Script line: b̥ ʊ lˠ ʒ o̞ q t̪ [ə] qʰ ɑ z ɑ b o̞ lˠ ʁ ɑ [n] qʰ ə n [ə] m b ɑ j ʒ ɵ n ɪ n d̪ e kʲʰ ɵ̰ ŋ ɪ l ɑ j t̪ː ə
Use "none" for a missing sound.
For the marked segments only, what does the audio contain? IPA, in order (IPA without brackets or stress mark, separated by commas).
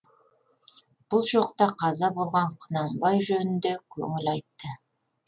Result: ɑ, ɴ, ɑ